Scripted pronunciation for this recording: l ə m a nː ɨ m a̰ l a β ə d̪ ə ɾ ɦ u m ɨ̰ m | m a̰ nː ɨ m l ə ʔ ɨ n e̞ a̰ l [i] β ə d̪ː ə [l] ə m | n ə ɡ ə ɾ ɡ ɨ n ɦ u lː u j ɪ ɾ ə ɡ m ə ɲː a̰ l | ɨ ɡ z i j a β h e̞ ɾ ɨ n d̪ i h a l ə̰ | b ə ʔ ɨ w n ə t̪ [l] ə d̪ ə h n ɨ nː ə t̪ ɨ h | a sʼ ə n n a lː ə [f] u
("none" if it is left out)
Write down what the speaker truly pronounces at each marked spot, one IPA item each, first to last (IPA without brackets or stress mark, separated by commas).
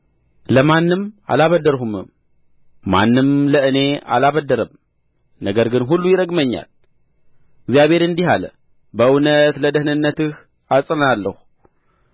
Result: a, ɾ, l, h